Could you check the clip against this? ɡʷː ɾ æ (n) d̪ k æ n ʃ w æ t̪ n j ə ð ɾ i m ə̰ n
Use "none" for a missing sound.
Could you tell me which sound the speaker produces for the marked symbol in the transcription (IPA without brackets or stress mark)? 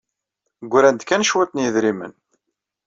n